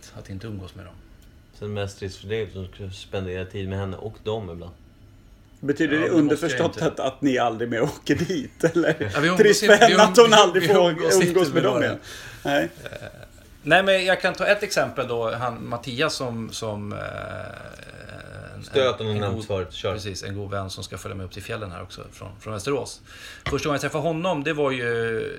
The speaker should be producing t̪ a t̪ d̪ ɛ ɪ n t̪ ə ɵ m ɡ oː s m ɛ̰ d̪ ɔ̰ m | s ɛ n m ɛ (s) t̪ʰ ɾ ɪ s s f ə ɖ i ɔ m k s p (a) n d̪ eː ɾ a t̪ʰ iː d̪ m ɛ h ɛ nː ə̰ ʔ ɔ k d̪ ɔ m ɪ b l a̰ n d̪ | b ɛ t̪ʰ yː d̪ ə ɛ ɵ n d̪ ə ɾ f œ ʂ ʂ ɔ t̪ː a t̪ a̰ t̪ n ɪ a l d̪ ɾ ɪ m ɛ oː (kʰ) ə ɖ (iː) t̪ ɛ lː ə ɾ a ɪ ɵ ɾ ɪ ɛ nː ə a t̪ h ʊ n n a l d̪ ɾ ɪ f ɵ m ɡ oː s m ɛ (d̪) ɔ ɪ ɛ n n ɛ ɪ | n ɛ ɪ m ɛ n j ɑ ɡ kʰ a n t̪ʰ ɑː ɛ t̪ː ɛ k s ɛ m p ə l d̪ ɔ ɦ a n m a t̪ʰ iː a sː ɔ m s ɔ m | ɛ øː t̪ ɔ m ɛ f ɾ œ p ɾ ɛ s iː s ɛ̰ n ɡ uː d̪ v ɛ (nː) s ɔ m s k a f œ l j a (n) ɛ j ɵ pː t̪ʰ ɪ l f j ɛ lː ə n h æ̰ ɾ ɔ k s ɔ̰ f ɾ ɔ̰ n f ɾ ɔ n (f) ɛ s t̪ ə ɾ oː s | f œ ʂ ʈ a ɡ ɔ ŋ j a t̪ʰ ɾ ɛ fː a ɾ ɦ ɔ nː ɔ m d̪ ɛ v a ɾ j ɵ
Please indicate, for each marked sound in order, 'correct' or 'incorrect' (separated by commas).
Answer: correct, incorrect, incorrect, correct, correct, correct, incorrect, incorrect